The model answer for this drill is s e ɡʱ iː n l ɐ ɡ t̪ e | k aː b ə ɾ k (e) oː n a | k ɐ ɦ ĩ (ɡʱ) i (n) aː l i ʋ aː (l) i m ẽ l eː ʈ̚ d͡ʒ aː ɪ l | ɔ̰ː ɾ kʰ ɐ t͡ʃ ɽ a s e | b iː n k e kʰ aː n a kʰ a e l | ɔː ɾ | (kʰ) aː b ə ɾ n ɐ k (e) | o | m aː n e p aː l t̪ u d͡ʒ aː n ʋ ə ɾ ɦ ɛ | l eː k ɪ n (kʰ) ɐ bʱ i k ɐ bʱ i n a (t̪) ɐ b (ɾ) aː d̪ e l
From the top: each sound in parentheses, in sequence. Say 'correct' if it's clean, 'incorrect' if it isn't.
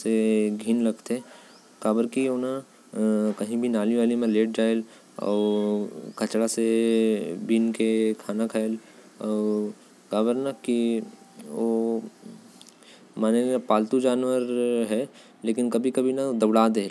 incorrect, incorrect, correct, correct, incorrect, incorrect, incorrect, incorrect, incorrect

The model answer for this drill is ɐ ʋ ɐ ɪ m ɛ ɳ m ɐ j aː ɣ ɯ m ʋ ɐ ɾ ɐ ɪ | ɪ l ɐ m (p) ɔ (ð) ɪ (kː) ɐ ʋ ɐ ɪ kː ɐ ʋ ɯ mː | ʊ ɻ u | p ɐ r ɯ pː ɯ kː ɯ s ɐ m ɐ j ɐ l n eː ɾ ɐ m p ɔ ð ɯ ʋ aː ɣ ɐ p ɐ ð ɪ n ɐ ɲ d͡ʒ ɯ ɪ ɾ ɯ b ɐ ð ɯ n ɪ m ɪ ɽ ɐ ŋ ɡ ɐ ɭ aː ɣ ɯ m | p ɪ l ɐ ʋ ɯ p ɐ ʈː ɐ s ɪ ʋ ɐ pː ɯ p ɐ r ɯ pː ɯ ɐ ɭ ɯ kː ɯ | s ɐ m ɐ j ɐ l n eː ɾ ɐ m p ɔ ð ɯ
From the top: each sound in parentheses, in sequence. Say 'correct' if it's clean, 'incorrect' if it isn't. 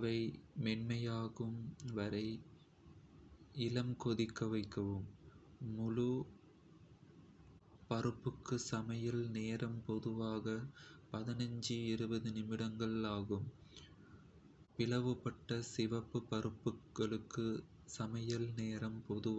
incorrect, correct, correct

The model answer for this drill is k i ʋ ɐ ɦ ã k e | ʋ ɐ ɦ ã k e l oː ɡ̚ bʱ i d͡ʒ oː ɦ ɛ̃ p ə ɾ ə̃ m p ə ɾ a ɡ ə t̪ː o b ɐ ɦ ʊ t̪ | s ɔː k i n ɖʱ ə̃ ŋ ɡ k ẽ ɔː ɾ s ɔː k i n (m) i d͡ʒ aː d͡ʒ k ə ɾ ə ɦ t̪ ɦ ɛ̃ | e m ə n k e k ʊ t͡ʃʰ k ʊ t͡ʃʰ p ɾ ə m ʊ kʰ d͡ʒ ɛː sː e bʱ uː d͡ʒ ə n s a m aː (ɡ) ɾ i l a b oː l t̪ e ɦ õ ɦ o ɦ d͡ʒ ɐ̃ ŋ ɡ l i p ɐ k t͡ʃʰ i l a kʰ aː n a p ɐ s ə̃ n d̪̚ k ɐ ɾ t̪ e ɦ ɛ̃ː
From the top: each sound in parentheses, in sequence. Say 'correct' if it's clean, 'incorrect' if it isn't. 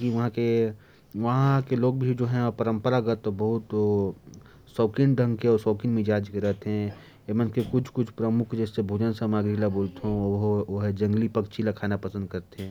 correct, correct

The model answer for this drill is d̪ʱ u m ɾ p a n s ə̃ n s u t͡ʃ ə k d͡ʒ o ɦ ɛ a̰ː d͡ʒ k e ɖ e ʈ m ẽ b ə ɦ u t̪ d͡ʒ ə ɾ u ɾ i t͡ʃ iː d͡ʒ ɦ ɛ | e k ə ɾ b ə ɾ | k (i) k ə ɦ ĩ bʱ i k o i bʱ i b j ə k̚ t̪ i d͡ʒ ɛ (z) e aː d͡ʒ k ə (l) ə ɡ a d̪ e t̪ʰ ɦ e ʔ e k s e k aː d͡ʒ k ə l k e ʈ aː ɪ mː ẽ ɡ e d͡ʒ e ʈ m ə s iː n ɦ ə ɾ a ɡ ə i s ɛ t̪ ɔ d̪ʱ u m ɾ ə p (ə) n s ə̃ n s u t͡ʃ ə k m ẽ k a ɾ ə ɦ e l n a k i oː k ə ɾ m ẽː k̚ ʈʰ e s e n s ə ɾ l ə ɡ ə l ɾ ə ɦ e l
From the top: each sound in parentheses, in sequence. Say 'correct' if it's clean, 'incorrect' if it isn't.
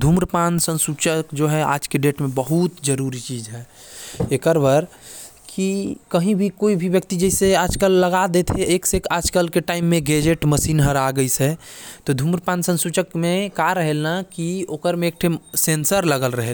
correct, incorrect, incorrect, incorrect

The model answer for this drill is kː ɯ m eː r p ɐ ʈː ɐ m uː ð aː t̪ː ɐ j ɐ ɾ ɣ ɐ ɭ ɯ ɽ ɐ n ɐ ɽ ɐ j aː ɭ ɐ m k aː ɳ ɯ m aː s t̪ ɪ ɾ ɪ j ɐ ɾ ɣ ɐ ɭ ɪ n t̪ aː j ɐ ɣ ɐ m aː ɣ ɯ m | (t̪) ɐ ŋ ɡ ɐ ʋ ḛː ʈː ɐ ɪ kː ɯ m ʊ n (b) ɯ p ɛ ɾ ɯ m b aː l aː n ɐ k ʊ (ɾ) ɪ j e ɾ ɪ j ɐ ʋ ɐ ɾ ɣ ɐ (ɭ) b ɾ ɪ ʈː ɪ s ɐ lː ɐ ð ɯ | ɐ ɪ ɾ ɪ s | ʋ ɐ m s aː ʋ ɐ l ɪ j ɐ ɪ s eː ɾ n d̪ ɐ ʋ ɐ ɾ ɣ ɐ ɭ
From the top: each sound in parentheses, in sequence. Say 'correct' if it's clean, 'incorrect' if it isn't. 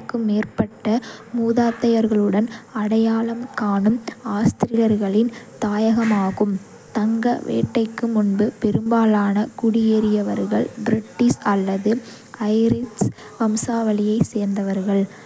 correct, correct, incorrect, correct

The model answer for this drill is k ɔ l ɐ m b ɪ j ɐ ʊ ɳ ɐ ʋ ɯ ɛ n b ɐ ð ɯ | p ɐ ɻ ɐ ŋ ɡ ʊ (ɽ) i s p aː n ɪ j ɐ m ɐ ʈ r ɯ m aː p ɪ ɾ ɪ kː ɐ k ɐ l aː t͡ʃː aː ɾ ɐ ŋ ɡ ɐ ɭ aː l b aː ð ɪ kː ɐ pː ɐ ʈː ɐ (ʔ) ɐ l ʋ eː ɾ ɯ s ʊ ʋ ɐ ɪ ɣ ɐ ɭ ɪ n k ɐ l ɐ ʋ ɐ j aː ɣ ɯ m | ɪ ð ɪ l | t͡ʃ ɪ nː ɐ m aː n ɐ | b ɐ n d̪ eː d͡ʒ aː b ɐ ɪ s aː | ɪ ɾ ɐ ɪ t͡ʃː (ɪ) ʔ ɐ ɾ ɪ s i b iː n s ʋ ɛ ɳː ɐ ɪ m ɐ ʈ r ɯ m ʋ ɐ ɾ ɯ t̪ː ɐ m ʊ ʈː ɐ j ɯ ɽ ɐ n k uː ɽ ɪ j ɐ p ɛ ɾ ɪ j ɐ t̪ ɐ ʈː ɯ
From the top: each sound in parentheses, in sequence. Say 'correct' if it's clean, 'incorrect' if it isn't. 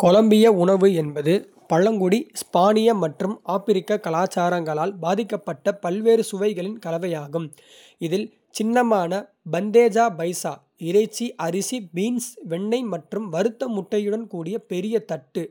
correct, incorrect, incorrect

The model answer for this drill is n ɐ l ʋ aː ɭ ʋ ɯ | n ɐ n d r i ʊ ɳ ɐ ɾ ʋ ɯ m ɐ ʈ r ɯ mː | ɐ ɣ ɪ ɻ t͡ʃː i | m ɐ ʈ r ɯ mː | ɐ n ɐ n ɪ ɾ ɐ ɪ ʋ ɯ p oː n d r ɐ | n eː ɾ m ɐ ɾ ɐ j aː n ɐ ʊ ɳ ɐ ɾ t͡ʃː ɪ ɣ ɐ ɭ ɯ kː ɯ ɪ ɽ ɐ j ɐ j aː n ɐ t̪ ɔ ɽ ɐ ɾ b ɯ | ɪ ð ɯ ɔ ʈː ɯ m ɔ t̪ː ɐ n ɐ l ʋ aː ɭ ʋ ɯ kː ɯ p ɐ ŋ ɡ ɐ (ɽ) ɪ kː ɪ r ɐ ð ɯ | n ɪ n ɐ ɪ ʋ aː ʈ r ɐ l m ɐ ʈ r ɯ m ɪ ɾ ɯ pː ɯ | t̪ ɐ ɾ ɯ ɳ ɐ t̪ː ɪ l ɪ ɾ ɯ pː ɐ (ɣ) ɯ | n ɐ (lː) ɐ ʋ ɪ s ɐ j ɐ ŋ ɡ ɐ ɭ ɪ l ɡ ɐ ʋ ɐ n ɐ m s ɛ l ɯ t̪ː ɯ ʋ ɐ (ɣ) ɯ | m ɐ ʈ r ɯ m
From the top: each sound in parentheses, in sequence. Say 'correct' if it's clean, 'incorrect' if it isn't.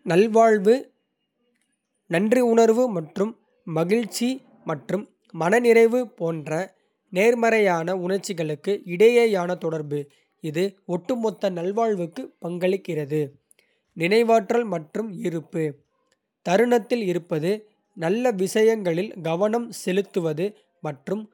incorrect, incorrect, correct, incorrect

